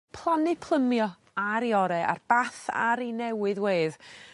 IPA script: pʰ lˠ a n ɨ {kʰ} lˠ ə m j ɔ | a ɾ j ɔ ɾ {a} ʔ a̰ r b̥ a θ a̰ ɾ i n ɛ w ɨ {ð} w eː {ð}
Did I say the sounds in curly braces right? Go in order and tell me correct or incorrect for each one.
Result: incorrect, incorrect, correct, correct

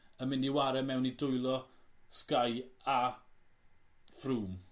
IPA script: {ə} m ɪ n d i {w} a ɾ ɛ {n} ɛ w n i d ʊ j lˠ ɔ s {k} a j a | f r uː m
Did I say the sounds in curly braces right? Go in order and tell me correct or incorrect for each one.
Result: correct, correct, incorrect, correct

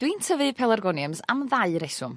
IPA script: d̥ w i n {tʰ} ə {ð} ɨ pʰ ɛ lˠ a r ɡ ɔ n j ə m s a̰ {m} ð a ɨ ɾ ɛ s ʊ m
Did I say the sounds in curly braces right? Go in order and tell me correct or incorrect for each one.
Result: correct, incorrect, correct

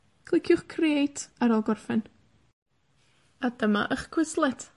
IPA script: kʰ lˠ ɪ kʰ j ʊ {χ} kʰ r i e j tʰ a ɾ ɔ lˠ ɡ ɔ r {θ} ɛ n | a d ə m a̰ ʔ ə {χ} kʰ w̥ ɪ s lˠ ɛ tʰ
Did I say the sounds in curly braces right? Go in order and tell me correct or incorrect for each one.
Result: correct, incorrect, correct

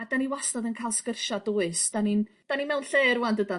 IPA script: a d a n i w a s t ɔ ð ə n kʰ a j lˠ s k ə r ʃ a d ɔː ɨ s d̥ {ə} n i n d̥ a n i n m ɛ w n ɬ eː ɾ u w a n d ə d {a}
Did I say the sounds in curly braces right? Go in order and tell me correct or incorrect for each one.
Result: incorrect, correct

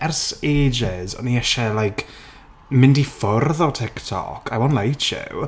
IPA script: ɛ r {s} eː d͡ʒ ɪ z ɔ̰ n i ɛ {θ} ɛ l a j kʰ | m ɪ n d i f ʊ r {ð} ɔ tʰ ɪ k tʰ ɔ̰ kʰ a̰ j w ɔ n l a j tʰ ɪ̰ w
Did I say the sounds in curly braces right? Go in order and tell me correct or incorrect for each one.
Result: correct, incorrect, correct

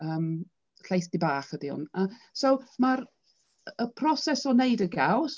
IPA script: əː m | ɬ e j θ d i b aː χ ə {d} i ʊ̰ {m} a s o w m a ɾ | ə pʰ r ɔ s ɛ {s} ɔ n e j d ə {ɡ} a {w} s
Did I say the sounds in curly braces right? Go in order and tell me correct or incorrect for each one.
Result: correct, incorrect, correct, correct, correct

